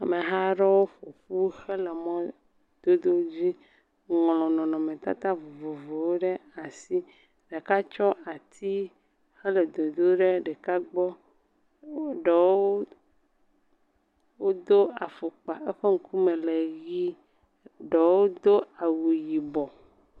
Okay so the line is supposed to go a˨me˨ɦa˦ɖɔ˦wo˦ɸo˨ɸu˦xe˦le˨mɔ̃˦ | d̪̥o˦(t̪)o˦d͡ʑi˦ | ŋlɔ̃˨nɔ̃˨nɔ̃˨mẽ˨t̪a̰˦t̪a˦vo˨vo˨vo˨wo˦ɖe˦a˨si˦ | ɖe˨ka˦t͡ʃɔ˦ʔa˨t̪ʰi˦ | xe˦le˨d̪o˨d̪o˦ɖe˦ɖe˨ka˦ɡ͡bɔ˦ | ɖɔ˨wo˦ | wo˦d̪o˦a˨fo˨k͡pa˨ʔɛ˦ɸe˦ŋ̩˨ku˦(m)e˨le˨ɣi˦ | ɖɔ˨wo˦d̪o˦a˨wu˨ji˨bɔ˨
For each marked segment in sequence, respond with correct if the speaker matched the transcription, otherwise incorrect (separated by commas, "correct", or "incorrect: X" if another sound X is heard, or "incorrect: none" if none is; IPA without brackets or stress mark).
incorrect: d̪, correct